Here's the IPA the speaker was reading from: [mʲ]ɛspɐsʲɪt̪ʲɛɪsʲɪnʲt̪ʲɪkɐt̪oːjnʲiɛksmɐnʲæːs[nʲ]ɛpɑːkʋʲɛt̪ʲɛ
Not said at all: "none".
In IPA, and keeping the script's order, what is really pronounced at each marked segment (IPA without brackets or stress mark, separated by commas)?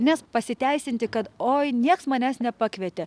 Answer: nʲ, nʲ